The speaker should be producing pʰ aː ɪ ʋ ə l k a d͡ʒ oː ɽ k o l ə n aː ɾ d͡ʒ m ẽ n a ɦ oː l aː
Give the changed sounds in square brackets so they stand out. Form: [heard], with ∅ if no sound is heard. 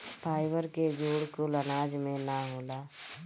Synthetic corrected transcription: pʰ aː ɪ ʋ ə [ɾ] k [e] d͡ʒ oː ɽ k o l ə n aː [∅] d͡ʒ m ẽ n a ɦ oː l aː